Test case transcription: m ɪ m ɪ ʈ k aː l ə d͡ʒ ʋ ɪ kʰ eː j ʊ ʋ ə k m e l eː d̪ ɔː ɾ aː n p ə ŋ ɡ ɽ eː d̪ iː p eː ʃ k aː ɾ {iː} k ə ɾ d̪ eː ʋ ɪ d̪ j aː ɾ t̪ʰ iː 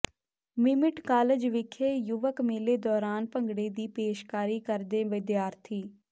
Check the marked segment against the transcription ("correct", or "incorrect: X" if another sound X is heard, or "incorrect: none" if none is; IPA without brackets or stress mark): correct